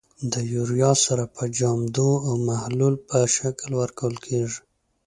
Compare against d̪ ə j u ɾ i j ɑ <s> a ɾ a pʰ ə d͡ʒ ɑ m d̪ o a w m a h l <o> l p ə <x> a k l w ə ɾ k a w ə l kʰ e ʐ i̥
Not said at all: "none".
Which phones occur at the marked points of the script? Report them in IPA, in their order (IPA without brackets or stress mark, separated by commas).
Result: s, u, ʃ